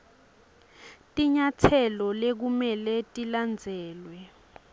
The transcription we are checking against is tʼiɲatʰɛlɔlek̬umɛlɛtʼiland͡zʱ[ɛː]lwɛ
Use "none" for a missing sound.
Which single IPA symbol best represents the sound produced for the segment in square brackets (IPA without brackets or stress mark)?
ɛː